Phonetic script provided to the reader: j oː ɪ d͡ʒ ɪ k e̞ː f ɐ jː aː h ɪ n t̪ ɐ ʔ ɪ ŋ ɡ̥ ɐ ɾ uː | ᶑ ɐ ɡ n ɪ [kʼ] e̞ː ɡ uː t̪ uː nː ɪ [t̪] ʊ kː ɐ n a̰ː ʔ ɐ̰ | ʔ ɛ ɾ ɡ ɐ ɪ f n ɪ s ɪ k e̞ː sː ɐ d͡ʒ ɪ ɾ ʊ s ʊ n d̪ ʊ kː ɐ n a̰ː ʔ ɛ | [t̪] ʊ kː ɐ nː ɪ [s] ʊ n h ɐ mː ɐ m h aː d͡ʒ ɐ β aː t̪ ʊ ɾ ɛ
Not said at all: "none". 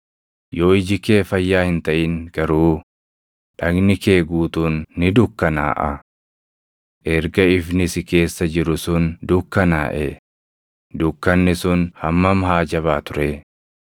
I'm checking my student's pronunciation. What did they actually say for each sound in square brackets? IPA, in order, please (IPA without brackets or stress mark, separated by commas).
k, d̪, d̪, s